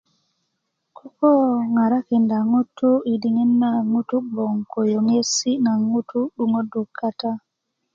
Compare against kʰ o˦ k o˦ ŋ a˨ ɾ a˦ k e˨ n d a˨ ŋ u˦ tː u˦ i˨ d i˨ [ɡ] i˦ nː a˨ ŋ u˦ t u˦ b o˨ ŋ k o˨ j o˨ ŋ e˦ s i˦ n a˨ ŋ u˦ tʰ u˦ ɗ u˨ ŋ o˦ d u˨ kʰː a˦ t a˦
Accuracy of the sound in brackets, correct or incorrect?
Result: incorrect